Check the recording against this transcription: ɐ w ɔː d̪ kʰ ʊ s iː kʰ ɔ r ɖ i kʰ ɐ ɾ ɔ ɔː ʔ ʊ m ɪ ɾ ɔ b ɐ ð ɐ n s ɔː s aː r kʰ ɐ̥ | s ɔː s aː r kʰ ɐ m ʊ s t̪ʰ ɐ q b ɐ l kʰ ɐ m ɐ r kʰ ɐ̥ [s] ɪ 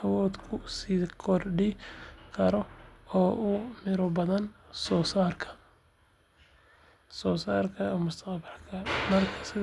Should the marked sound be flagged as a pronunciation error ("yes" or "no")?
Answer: no